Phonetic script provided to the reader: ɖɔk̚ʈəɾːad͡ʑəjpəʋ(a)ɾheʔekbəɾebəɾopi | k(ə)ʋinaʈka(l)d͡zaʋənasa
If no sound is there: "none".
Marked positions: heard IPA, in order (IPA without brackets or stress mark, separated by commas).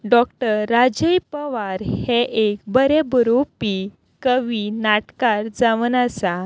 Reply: a, ə, ɾ